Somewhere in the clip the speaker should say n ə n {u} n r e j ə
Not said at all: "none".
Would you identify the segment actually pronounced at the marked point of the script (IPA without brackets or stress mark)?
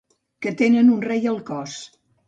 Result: u